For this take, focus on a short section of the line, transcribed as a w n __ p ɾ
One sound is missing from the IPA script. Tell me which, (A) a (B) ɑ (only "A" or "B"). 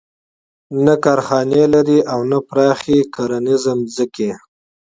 A